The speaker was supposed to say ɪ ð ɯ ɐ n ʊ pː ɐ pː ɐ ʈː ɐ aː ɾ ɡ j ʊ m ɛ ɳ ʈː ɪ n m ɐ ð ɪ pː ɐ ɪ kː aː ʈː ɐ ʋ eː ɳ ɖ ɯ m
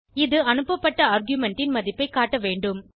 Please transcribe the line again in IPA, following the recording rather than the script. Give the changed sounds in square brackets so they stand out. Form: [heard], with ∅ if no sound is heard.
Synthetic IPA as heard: ɪ ð ɯ ɐ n [ɯ] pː ɐ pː ɐ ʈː ɐ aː ɾ ɡ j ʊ m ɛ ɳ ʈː ɪ n m ɐ ð ɪ pː ɐ ɪ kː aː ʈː ɐ ʋ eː ɳ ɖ ɯ m